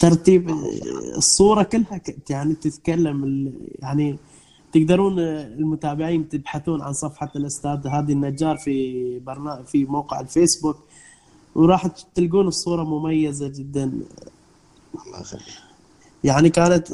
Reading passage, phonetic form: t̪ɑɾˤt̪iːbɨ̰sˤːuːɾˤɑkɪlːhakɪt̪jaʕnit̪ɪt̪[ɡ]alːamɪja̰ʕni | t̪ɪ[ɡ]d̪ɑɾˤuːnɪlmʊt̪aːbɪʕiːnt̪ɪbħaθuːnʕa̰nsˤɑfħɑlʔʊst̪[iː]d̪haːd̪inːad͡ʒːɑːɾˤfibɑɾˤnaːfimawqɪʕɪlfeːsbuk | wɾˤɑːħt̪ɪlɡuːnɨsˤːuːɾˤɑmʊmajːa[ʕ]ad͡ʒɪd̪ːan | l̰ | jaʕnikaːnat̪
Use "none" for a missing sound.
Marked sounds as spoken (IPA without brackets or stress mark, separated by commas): k, ɡ, aː, z